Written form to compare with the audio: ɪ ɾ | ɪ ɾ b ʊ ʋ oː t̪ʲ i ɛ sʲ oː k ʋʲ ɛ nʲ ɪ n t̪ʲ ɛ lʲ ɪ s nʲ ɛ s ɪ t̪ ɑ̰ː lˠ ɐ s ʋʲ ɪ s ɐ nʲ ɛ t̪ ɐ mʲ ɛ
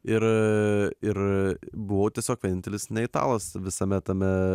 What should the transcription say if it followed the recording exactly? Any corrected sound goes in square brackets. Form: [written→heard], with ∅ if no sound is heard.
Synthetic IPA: ɪ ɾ | ɪ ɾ b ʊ ʋ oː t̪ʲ i ɛ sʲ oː k ʋʲ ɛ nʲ ɪ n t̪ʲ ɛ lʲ ɪ s nʲ ɛ [s→∅] ɪ t̪ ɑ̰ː lˠ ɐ s ʋʲ ɪ s ɐ [nʲ→mʲ] ɛ t̪ ɐ mʲ ɛ

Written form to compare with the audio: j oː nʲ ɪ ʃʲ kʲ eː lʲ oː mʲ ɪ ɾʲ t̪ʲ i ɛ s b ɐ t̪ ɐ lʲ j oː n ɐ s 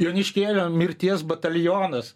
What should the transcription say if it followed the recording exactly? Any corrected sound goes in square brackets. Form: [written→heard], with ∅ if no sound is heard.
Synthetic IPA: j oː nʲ ɪ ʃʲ kʲ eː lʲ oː mʲ ɪ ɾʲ t̪ʲ i ɛ s b ɐ t̪ ɐ lʲ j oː n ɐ s

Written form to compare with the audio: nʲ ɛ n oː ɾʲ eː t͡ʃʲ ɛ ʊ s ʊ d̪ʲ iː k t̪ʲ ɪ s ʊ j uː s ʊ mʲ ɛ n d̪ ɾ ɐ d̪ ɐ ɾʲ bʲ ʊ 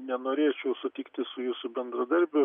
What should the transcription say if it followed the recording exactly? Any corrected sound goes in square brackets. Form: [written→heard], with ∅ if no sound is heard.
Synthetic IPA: nʲ ɛ n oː ɾʲ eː t͡ʃʲ ɛ ʊ s ʊ [d̪ʲ→t̪ʲ] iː k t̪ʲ ɪ s ʊ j uː s ʊ [mʲ→bʲ] ɛ n d̪ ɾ ɐ d̪ ɐ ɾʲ bʲ ʊ

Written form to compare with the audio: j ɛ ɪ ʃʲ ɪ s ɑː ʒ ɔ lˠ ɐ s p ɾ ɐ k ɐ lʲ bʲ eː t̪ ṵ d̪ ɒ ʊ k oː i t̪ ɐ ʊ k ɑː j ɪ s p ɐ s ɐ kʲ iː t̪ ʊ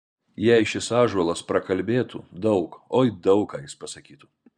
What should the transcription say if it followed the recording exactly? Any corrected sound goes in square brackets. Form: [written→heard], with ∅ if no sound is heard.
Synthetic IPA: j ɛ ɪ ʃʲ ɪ s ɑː ʒ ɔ lˠ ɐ s p ɾ ɐ k ɐ lʲ bʲ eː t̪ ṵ d̪ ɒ ʊ k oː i [t̪→d̪] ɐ ʊ k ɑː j ɪ s p ɐ s ɐ kʲ iː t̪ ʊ

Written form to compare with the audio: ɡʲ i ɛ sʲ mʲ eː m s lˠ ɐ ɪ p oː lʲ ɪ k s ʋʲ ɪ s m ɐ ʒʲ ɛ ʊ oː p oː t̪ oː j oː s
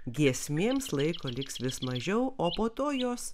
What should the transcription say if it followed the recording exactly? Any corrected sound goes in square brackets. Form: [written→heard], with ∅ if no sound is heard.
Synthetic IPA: ɡʲ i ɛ sʲ mʲ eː m s lˠ ɐ ɪ [p→k] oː lʲ ɪ k s ʋʲ ɪ s m ɐ ʒʲ ɛ ʊ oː p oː t̪ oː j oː s

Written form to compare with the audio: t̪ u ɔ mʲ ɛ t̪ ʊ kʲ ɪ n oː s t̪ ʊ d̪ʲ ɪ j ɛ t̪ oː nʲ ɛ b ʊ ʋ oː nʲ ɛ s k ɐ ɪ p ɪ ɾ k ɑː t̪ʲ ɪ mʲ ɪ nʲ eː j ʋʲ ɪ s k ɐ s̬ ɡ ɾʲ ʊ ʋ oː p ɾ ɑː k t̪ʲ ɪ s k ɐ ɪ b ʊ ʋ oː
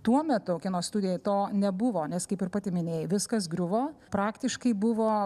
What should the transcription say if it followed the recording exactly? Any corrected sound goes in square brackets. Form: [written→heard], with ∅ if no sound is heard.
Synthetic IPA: t̪ u ɔ mʲ ɛ t̪ ʊ kʲ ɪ n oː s t̪ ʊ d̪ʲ ɪ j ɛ t̪ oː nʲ ɛ b ʊ ʋ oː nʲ ɛ s k ɐ ɪ p ɪ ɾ [k→p] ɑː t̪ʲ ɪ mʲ ɪ nʲ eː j ʋʲ ɪ s k ɐ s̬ ɡ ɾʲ ʊ ʋ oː p ɾ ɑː k t̪ʲ ɪ [s→ʃ] k ɐ ɪ b ʊ ʋ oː

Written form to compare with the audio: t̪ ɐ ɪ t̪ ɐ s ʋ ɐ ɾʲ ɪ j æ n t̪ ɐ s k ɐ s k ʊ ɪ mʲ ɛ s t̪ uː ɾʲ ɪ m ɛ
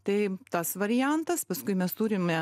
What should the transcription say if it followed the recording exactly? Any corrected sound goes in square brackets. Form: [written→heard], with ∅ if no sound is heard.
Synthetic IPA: t̪ ɐ ɪ t̪ ɐ s ʋ ɐ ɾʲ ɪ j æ n t̪ ɐ s [k→p] ɐ s k ʊ ɪ mʲ ɛ s t̪ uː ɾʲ ɪ m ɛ

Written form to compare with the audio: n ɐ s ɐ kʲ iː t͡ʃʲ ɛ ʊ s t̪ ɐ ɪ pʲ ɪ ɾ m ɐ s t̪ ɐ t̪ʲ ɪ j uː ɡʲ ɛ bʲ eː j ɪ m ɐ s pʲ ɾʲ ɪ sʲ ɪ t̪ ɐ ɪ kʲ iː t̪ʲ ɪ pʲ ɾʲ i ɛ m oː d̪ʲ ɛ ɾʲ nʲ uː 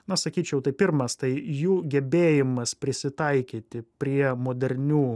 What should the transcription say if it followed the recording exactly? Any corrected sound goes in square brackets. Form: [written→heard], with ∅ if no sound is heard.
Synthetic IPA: n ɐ s ɐ kʲ iː t͡ʃʲ ɛ ʊ [s→∅] t̪ ɐ ɪ pʲ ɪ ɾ m ɐ s t̪ ɐ [t̪ʲ→∅] ɪ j uː ɡʲ ɛ bʲ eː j ɪ m ɐ s pʲ ɾʲ ɪ sʲ ɪ t̪ ɐ ɪ kʲ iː t̪ʲ ɪ pʲ ɾʲ i ɛ m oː d̪ʲ ɛ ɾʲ nʲ uː

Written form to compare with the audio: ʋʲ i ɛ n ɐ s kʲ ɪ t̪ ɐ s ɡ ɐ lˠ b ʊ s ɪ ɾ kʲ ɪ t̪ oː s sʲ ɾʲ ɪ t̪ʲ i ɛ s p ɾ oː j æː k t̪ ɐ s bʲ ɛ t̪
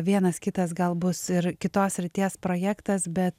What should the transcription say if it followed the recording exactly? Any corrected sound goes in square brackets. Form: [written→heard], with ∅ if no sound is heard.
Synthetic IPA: ʋʲ i ɛ n ɐ s kʲ ɪ t̪ ɐ s ɡ ɐ lˠ b ʊ s ɪ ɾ kʲ ɪ t̪ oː s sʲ ɾʲ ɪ t̪ʲ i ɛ s p ɾ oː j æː k t̪ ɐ s bʲ ɛ t̪

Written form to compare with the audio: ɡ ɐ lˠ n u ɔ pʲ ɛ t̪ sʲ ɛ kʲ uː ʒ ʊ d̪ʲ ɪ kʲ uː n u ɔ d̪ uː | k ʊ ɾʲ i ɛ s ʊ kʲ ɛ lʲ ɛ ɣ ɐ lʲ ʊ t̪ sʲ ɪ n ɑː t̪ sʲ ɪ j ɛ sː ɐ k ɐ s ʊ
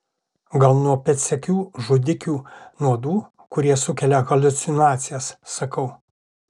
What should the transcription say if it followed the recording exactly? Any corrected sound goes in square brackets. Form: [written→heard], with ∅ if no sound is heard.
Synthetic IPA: ɡ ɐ lˠ n u ɔ pʲ ɛ t̪ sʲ ɛ kʲ uː ʒ ʊ d̪ʲ ɪ kʲ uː n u ɔ d̪ uː | k ʊ ɾʲ i ɛ s ʊ kʲ ɛ lʲ ɛ ɣ ɐ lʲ ʊ t̪ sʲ ɪ n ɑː t̪ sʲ ɪ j ɛ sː ɐ k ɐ [s→∅] ʊ

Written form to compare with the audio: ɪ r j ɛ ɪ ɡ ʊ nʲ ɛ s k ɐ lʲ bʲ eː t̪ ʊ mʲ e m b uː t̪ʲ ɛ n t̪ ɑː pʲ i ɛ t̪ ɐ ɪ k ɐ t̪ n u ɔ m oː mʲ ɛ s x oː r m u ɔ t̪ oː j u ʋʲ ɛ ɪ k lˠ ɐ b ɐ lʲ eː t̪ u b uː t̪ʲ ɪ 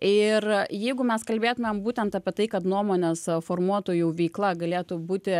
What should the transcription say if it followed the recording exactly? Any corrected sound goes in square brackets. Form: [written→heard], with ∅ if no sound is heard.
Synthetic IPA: ɪ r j ɛ ɪ ɡ ʊ [nʲ→mʲ] ɛ s k ɐ lʲ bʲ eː t̪ ʊ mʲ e m b uː t̪ʲ ɛ n t̪ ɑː pʲ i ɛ t̪ ɐ ɪ k ɐ t̪ n u ɔ m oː [mʲ→nʲ] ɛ s [x→f] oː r m u ɔ t̪ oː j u ʋʲ ɛ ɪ k lˠ ɐ [b→ɡ] ɐ lʲ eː t̪ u b uː t̪ʲ ɪ

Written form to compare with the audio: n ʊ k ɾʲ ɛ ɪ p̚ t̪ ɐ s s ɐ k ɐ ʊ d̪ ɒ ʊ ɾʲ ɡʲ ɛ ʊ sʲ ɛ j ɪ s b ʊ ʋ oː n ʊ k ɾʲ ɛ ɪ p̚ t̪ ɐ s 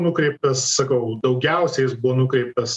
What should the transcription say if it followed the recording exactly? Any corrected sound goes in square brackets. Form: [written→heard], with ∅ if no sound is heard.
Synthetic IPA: n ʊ k ɾʲ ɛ ɪ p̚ t̪ ɐ s s ɐ k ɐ ʊ d̪ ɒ ʊ [ɾʲ→∅] ɡʲ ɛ ʊ sʲ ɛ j ɪ s b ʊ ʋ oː n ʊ k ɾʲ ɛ ɪ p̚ t̪ ɐ s

